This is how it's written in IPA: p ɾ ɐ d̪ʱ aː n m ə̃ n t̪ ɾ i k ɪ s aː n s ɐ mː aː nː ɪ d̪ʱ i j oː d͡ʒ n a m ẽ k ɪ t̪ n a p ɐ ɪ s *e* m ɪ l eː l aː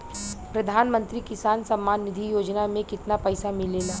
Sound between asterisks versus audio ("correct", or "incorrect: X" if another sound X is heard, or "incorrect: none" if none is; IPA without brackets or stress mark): incorrect: a